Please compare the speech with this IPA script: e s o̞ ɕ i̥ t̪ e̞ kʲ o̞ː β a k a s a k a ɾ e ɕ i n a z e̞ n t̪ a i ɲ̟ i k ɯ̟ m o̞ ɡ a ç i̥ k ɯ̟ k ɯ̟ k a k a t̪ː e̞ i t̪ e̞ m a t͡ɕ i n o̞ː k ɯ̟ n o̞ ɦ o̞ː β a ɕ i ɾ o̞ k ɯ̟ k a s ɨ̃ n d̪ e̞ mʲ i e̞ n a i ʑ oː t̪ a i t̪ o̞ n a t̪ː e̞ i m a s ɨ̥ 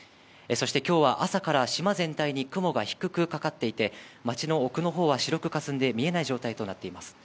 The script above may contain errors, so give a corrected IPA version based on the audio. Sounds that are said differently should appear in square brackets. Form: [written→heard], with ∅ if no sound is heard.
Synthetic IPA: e s o̞ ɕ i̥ t̪ e̞ kʲ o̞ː β a [k→ʔ] a s a k a ɾ [e→a] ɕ i [n→m] a z [e̞→ẽ̞] n t̪ a i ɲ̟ i k ɯ̟ m o̞ ɡ a ç i̥ k ɯ̟ k ɯ̟ k a k a t̪ː e̞ i t̪ e̞ m a t͡ɕ i n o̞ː k ɯ̟ n o̞ ɦ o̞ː β a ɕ i ɾ o̞ k ɯ̟ k a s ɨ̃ n d̪ e̞ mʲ i e̞ n a i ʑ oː t̪ a i t̪ o̞ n a t̪ː e̞ i m a s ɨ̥